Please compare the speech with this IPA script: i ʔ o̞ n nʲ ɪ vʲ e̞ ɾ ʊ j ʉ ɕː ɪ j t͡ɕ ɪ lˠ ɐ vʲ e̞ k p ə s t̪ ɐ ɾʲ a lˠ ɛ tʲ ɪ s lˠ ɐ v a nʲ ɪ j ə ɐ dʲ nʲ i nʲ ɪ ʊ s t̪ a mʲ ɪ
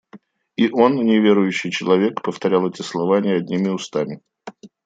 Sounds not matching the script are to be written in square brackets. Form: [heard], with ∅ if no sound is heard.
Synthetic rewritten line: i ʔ o̞ n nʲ ɪ vʲ e̞ ɾ ʊ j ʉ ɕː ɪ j t͡ɕ ɪ lˠ ɐ vʲ e̞ k p ə [f] t̪ ɐ ɾʲ a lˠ ɛ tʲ ɪ s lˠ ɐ v a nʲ ɪ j ə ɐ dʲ nʲ i [mʲ] ɪ ʊ s t̪ a mʲ ɪ